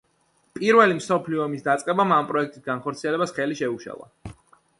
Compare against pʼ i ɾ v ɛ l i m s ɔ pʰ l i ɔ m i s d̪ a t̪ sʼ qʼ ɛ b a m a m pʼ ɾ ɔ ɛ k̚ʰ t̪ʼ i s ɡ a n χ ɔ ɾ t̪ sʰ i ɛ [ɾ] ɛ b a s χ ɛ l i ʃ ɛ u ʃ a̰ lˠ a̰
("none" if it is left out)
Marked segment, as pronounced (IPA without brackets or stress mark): l